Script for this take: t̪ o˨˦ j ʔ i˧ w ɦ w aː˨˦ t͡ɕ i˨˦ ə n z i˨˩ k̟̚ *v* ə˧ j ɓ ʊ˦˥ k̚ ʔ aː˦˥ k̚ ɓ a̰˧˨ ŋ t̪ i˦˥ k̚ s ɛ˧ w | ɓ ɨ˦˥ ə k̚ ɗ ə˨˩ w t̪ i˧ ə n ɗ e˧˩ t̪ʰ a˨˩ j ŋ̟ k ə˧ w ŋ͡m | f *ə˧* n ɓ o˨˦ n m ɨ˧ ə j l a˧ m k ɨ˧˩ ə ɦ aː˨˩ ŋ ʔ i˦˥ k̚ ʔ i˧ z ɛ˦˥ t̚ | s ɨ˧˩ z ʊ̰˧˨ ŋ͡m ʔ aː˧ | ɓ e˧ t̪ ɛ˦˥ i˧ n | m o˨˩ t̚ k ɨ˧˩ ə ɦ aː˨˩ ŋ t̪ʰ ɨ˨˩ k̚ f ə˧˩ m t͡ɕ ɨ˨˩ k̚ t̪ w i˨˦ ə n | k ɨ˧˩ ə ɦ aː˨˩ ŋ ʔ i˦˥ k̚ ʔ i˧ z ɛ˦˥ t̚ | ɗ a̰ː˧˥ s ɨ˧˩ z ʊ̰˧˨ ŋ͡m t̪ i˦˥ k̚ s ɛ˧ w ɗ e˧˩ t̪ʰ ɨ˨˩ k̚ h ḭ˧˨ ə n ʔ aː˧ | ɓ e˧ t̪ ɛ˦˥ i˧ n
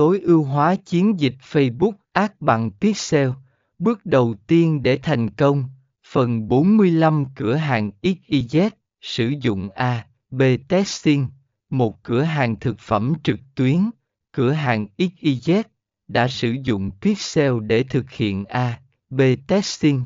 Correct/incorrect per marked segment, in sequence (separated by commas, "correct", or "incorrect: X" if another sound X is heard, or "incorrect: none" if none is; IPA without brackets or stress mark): incorrect: f, incorrect: ə˨˩